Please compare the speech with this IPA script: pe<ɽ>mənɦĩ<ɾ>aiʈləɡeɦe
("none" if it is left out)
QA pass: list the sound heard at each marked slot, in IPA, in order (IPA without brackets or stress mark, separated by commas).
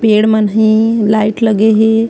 ɽ, l